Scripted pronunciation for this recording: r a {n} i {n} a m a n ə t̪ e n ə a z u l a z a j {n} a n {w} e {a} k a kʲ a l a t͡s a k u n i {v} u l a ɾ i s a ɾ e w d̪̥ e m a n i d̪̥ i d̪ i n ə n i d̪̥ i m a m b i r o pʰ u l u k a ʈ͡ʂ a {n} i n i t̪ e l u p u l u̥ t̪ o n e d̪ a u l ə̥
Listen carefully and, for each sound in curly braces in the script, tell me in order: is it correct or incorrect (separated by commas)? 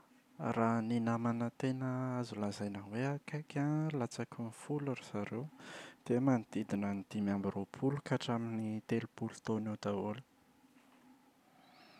correct, correct, correct, correct, correct, incorrect, incorrect